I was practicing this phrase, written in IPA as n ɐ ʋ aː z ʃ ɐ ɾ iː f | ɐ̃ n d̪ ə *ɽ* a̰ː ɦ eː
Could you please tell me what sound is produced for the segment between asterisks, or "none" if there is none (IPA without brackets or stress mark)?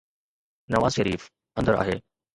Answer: ɾ